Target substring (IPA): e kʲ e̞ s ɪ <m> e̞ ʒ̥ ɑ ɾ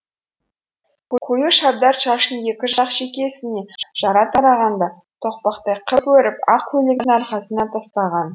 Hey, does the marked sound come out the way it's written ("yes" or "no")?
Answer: no